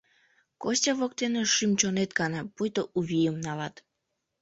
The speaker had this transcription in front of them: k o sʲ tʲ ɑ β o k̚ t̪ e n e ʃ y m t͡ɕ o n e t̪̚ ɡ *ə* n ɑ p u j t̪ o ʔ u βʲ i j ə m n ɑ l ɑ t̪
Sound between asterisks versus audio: incorrect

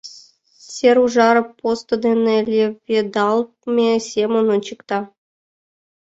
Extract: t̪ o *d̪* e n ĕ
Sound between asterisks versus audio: correct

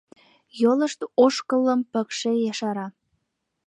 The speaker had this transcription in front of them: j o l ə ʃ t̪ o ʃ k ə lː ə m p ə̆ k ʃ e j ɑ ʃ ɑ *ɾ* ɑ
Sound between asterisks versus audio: correct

